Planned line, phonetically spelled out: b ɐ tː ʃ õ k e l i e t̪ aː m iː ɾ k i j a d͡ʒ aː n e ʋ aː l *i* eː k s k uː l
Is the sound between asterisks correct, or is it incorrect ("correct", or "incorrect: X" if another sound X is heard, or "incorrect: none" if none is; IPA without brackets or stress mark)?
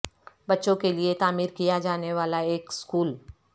incorrect: a